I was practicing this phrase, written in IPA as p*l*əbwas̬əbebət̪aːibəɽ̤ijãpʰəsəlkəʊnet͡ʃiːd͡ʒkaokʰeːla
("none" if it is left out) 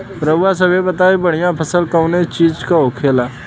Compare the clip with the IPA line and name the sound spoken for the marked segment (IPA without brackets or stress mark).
ɾ